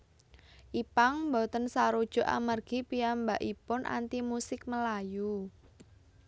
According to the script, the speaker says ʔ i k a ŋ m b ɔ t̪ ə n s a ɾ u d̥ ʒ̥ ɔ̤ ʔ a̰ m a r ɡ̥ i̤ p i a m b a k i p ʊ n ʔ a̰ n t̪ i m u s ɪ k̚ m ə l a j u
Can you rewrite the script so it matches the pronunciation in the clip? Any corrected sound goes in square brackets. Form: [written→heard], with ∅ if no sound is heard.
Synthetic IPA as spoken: ʔ i [k→p] a ŋ m b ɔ t̪ ə n s a ɾ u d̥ ʒ̥ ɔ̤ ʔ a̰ m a r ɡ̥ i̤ p i a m b a [k→ʔ] i p ʊ n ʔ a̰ n t̪ i m u s ɪ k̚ m ə l a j u